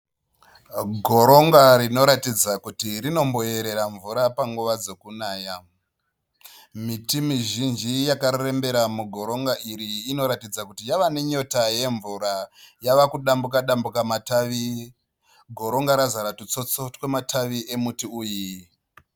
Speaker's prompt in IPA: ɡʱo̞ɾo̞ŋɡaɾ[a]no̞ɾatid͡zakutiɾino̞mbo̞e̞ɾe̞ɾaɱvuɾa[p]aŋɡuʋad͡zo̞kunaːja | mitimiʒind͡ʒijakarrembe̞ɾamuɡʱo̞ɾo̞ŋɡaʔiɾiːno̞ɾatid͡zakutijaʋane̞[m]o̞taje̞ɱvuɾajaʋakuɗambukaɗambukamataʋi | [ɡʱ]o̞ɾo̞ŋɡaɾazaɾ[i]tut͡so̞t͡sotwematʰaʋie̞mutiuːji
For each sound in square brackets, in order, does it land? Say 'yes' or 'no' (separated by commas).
no, yes, no, yes, no